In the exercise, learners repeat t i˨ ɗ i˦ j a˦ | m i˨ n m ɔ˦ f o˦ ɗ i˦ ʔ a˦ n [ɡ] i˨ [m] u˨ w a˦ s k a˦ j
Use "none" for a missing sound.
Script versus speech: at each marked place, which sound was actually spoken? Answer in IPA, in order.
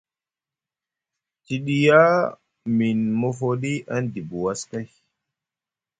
d, b

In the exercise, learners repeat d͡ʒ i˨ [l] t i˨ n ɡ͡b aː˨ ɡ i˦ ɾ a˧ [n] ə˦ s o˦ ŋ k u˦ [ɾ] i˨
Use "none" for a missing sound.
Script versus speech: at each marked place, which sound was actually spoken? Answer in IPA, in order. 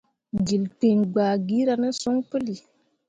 l, n, l

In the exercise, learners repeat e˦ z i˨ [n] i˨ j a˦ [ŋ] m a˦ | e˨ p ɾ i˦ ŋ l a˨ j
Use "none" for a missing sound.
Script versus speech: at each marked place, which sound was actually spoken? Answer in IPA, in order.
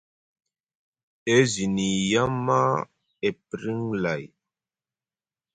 n, none

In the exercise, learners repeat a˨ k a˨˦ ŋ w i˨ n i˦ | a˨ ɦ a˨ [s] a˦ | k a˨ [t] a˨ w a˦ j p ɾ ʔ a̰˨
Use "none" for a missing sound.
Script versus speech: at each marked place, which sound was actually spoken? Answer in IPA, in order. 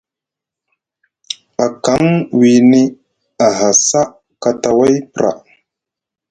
s, t

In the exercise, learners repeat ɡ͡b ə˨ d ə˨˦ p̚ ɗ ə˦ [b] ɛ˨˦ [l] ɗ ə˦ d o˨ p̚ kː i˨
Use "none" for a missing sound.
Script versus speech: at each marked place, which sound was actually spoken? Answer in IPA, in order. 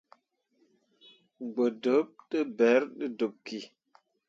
b, ɾ

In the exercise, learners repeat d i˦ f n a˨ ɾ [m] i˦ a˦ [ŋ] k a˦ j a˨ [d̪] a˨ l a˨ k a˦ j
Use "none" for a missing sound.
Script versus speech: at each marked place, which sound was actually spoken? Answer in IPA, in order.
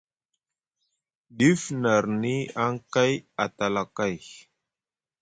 n, ŋ, t̪

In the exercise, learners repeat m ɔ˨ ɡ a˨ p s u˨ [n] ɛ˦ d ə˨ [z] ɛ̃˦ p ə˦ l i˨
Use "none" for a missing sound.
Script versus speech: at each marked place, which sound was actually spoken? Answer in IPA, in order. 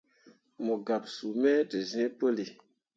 m, z

